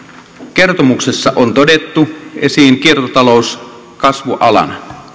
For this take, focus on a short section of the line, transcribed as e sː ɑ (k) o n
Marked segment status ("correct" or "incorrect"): incorrect